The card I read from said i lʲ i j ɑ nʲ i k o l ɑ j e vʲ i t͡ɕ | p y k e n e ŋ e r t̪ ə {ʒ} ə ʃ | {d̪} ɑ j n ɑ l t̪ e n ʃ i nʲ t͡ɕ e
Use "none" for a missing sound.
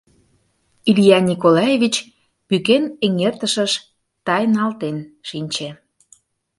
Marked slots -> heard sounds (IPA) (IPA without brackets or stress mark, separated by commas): ʃ, t̪